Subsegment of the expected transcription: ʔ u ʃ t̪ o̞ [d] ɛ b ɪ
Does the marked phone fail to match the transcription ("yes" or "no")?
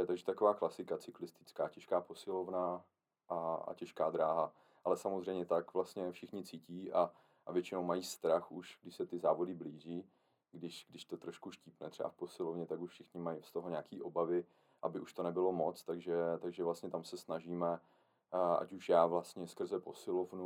yes